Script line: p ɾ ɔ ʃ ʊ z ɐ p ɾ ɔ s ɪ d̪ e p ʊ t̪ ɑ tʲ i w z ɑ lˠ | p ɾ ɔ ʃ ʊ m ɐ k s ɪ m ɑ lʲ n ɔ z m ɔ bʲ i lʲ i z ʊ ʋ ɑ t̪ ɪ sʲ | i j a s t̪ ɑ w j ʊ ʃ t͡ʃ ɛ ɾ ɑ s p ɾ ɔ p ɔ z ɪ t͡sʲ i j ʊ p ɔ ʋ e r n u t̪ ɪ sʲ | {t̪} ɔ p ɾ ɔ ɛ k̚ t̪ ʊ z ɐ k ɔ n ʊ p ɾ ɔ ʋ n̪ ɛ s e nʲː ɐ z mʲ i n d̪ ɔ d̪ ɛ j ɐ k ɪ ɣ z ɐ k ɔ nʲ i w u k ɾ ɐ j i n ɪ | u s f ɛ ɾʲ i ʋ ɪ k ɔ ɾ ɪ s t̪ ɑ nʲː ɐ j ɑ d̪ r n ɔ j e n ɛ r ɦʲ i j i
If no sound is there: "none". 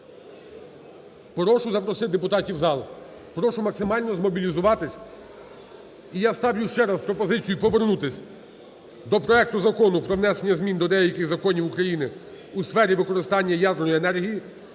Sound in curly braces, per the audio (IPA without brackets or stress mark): d̪